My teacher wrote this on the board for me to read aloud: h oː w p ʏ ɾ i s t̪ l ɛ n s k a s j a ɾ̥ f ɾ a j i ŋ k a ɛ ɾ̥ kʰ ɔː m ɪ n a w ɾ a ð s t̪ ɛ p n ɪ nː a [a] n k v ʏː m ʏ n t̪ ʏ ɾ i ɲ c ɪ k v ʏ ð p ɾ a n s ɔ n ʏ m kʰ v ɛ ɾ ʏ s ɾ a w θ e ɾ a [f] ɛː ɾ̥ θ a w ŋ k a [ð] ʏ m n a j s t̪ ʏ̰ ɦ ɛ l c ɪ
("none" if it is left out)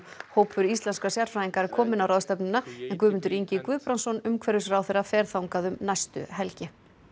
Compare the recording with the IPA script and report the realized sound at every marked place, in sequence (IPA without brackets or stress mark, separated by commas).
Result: ɛ, f, ð